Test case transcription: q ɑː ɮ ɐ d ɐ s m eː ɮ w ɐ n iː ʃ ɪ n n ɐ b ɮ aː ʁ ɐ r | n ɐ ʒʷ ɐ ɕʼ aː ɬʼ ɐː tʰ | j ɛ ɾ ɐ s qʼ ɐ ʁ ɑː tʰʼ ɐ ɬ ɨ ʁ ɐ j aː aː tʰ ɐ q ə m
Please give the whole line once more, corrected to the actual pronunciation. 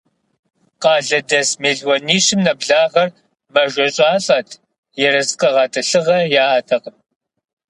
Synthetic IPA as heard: q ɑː ɮ ɐ d ɐ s m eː ɮ w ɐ n iː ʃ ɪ m n ɐ b ɮ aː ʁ ɐ r | m ɐ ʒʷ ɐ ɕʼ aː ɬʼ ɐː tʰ | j ɛ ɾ ɐ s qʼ ɐ ʁ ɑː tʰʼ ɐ ɬ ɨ ʁ ɐ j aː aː tʰ ɐ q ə m